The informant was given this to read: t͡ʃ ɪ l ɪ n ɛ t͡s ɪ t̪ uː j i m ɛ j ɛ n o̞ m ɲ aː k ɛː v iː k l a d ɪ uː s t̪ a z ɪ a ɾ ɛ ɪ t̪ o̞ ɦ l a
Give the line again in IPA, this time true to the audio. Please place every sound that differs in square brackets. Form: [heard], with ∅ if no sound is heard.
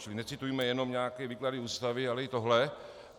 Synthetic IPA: t͡ʃ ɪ l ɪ n ɛ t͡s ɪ t̪ [u] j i m ɛ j ɛ n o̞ m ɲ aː k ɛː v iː k l a d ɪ uː s t̪ a [v] ɪ a [l] ɛ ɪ t̪ o̞ ɦ l [ɛ]